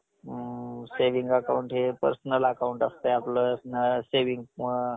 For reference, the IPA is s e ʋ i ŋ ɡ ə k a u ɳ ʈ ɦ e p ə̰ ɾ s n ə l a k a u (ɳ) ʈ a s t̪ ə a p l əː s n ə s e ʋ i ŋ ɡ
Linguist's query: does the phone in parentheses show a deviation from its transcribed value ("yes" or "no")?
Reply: no